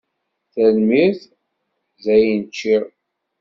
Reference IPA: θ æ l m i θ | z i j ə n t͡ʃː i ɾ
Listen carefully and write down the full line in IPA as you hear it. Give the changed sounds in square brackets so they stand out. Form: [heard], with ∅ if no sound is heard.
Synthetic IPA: θ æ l m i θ | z [æ] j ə n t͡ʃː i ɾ